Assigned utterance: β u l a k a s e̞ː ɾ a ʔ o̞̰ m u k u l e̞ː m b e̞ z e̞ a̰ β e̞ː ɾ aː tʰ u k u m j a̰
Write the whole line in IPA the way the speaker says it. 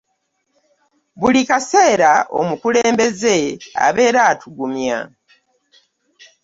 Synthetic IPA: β u l i k a s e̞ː ɾ a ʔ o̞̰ m u k u l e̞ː m b e̞ z e̞ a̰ β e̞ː ɾ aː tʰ u ɡ u m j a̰